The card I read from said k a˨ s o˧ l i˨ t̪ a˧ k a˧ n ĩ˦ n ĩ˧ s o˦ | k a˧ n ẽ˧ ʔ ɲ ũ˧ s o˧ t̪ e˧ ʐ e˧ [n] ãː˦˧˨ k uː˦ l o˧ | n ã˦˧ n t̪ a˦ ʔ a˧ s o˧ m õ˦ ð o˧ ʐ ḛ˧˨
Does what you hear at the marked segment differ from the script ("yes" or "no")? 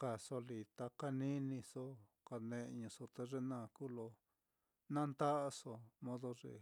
no